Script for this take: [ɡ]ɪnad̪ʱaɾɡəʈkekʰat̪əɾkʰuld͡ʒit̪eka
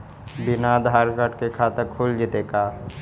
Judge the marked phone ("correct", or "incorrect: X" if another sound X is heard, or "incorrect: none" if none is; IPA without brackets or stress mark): incorrect: b